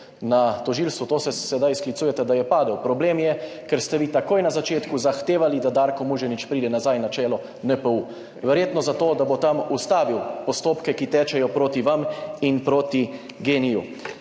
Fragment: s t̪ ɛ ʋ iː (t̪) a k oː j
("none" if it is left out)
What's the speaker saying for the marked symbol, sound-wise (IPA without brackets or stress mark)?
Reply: t̪